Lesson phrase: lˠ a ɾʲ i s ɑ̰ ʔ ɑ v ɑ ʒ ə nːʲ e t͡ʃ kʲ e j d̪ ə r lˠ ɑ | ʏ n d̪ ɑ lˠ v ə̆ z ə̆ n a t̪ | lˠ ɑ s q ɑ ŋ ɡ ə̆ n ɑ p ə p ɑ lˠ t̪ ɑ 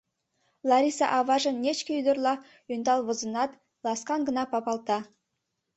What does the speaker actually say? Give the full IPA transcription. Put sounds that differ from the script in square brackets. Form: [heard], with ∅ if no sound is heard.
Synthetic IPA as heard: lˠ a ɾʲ i s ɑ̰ ʔ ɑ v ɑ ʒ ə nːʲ e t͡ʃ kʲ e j d̪ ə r lˠ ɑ | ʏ n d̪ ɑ lˠ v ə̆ z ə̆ n [ɑ] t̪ | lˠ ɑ s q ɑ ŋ ɡ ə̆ n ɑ p [ɑ] p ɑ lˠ t̪ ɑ

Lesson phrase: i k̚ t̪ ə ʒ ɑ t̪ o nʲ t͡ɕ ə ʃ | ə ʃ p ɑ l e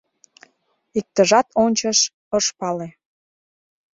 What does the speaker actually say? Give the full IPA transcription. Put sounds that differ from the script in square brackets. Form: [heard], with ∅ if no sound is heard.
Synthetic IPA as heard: i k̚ t̪ ə ʒ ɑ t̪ o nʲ t͡ɕ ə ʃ | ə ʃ p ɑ l e

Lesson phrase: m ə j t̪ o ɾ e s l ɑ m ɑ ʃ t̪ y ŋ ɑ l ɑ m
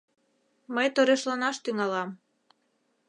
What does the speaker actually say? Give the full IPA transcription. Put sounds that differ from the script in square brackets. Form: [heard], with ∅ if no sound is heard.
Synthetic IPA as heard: m ə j t̪ o ɾ e [ʃ] l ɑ [n] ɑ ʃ t̪ y ŋ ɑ l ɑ m

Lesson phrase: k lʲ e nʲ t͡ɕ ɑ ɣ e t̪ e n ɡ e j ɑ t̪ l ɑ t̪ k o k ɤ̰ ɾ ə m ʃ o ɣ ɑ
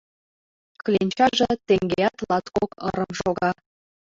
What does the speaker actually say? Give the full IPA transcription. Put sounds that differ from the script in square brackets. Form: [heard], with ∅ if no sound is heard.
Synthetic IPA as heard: k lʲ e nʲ t͡ɕ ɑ [ʒ] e t̪ e [ŋ] ɡ e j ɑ t̪ l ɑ t̪ k o k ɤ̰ ɾ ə m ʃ o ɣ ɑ

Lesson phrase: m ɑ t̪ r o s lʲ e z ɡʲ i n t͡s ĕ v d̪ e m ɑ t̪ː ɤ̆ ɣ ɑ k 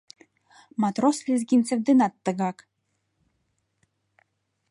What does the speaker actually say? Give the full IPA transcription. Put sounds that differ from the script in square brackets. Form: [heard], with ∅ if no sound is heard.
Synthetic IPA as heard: m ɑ t̪ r o s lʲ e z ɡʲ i n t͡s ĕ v d̪ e [n] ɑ t̪ː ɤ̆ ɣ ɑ k

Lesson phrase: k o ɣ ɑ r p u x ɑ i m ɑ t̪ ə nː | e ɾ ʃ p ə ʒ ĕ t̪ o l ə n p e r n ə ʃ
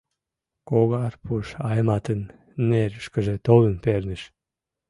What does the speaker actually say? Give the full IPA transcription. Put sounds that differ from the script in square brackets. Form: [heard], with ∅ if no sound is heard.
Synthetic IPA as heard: k o ɣ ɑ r p u [ʃ] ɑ [j] m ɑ t̪ ə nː | e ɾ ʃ [k] ə ʒ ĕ t̪ o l ə n p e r n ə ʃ

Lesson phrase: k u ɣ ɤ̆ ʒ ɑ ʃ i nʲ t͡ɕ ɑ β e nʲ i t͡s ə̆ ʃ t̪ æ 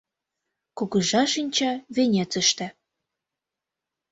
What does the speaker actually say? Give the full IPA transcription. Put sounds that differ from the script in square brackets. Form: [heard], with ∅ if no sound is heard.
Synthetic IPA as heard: k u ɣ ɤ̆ ʒ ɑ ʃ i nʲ t͡ɕ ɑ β e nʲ [e] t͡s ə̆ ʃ t̪ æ

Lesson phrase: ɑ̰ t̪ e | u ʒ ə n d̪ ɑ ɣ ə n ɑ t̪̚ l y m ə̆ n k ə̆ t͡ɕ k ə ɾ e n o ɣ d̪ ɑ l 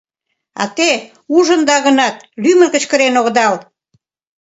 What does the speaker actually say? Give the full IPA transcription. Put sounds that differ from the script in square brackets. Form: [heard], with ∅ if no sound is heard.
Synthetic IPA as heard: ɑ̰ t̪ e | u ʒ ə n d̪ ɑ ɣ ə n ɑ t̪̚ l y m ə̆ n k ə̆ t͡ɕ k ə ɾ e n o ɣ d̪ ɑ l

